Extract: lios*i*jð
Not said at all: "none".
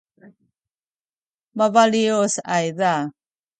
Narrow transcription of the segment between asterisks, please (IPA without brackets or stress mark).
a